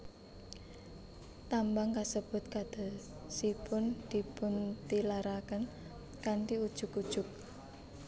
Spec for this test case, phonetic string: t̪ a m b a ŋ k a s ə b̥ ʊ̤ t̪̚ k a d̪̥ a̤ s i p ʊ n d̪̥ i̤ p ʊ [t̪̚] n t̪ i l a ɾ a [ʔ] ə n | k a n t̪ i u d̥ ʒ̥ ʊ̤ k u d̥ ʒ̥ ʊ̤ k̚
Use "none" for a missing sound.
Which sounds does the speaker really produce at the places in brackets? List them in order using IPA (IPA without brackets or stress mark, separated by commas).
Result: none, k